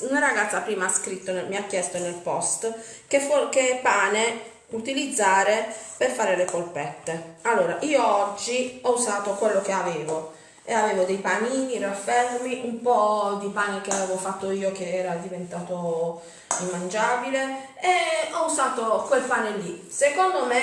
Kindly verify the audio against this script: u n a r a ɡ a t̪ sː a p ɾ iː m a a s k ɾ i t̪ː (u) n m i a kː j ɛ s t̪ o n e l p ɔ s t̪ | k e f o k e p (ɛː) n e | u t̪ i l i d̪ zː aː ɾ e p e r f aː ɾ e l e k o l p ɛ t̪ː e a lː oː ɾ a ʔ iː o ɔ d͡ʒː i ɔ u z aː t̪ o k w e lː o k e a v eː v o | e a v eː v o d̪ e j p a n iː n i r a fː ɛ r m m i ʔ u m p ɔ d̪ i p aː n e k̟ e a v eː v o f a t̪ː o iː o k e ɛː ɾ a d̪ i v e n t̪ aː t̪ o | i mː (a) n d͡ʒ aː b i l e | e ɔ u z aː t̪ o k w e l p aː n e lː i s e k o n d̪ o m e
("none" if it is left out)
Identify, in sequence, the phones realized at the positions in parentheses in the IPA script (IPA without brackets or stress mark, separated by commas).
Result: o, aː, a